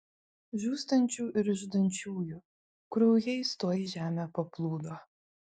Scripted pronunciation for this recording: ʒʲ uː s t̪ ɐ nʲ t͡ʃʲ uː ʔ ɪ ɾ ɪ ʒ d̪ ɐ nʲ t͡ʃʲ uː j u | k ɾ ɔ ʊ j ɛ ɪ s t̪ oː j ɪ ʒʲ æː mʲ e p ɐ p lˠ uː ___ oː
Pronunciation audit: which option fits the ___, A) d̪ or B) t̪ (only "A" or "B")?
A